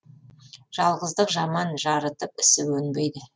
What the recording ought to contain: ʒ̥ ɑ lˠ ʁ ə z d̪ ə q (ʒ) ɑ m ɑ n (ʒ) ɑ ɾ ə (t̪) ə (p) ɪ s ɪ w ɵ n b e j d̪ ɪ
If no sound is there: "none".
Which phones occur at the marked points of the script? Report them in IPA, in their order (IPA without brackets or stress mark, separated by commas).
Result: ʒ, ʒ, t̪, p